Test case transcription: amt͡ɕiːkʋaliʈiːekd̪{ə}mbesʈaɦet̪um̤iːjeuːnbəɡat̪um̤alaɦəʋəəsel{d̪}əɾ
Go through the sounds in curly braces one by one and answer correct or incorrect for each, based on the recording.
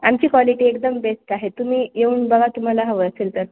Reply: correct, incorrect

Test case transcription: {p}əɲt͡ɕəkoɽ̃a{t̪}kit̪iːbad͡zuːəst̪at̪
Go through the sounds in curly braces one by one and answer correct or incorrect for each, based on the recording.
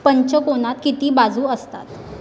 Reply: correct, correct

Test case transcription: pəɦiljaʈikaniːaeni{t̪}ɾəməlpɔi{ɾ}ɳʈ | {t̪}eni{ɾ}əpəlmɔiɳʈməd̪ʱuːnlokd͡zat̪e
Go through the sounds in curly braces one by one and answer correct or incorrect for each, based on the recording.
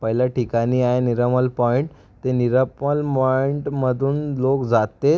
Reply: incorrect, incorrect, correct, correct

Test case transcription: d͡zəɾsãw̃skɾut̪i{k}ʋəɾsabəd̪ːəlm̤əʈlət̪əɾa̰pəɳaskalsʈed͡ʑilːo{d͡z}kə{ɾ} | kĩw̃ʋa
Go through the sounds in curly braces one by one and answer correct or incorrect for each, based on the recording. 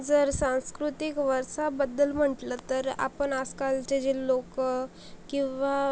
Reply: correct, incorrect, incorrect

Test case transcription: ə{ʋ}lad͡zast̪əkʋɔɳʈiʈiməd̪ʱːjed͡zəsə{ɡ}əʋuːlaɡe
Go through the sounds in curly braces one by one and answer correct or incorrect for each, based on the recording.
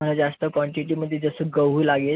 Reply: incorrect, correct

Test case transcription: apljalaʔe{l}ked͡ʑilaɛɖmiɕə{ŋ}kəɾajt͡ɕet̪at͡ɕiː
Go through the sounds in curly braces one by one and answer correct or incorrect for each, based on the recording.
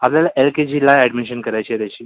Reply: correct, incorrect

